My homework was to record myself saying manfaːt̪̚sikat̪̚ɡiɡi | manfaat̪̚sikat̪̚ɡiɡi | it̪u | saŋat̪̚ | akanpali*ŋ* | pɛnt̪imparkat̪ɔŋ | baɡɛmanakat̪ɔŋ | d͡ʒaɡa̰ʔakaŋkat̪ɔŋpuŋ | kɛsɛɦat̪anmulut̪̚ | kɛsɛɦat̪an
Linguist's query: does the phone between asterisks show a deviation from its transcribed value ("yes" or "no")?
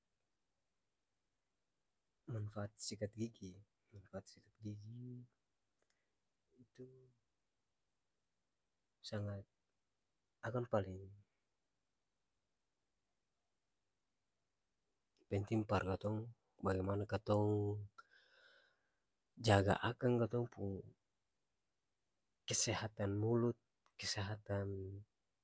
no